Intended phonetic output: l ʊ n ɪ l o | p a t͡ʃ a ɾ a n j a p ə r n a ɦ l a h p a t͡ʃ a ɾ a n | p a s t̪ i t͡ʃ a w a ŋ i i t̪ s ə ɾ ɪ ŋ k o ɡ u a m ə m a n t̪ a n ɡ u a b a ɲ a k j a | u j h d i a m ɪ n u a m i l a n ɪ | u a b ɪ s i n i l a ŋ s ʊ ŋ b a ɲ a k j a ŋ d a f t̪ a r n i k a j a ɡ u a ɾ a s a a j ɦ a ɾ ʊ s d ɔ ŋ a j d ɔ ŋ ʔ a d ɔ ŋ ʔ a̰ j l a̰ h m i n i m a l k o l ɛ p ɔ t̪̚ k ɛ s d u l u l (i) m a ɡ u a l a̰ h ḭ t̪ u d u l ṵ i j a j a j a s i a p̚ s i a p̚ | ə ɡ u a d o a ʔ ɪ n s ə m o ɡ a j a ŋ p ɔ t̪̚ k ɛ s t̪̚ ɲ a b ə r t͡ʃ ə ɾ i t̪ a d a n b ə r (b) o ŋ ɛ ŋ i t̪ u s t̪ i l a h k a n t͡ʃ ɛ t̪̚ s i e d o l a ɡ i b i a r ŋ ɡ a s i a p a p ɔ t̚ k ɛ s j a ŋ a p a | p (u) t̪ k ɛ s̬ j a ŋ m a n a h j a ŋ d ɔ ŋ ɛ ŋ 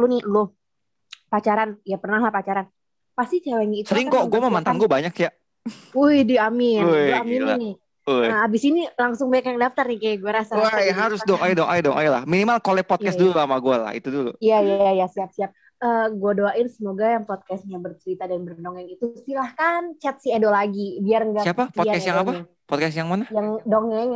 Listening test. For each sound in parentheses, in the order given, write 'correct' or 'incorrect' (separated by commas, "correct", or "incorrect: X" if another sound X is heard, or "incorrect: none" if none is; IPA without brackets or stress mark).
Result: incorrect: a, incorrect: d, incorrect: ɔ